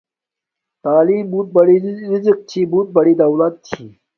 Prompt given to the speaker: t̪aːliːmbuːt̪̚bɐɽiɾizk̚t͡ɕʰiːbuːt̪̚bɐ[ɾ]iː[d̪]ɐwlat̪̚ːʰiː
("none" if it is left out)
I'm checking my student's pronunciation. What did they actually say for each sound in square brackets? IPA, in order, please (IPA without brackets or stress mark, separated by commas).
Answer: ɽ, d̪